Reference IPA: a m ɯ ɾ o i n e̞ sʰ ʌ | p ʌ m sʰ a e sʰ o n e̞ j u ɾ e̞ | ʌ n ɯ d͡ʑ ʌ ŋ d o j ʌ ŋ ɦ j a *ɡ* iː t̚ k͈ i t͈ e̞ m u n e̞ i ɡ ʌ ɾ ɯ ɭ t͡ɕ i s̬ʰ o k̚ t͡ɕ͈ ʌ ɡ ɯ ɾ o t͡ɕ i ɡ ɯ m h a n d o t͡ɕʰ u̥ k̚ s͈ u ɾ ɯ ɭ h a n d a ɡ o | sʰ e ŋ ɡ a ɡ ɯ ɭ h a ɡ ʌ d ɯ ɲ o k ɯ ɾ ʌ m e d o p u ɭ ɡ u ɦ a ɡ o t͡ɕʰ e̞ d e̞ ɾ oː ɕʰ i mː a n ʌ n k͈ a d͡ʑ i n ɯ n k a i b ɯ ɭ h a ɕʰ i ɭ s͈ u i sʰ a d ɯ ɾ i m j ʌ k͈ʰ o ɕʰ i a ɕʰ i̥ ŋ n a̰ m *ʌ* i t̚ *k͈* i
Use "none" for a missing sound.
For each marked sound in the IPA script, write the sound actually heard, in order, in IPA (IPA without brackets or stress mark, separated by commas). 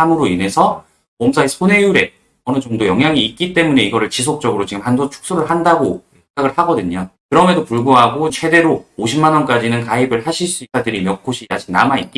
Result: ŋ, a, k͈